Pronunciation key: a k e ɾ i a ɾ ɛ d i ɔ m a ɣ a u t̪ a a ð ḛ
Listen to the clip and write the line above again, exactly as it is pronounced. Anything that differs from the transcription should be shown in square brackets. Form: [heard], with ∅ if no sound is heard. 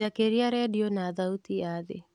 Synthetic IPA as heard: a k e ɾ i a ɾ ɛ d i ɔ [n] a [ð] a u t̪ [i] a ð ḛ